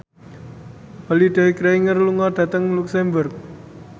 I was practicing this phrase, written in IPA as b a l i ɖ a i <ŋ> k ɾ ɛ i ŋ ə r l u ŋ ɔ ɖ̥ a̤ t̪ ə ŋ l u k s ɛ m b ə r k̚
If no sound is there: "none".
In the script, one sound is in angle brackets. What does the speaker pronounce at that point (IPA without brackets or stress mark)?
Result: none